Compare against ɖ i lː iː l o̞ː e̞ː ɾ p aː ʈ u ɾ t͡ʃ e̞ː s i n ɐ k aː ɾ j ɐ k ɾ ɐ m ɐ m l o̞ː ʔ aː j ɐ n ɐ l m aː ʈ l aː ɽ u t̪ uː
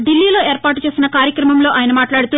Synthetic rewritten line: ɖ i lː iː l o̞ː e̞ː ɾ p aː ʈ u t͡ʃ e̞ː s i n ɐ k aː ɾ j ɐ k ɾ ɐ m ɐ m l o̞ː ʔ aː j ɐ n ɐ m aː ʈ l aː ɽ u t̪ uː